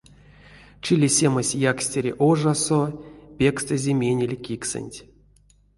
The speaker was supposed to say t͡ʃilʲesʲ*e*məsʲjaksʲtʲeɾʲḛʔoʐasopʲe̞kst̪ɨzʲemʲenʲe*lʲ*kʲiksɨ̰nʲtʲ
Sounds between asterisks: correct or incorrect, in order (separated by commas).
correct, correct